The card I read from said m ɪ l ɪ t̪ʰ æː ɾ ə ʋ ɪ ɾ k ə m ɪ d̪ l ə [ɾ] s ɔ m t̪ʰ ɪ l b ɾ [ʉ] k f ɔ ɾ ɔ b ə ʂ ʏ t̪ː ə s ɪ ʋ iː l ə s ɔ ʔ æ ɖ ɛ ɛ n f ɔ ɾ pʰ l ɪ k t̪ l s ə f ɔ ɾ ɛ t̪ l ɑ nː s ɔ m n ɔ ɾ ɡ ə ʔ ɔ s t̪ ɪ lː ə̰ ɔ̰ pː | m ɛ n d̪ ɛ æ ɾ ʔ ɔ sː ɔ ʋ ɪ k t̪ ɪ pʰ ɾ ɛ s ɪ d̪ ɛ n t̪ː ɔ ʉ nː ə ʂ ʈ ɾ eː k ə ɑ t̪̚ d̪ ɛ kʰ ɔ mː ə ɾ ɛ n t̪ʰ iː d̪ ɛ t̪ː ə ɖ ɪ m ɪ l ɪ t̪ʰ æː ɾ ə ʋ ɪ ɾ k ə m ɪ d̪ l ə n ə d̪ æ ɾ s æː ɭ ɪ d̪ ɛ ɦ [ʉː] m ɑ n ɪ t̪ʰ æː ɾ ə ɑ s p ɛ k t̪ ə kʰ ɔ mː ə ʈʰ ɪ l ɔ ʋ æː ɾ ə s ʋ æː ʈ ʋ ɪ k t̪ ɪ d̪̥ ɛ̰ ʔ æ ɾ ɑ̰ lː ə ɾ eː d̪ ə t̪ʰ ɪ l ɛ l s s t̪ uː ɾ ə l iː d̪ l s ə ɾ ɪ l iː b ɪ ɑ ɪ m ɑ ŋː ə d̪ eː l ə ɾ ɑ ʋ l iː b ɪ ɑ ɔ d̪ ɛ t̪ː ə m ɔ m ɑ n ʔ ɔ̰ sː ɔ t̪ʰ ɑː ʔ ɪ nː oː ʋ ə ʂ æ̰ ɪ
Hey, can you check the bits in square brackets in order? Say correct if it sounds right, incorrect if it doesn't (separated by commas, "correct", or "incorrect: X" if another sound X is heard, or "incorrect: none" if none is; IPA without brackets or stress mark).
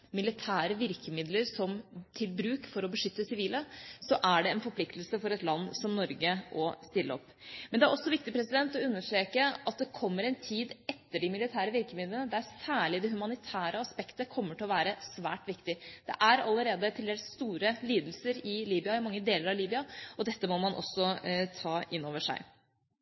correct, incorrect: ʉː, incorrect: ʉ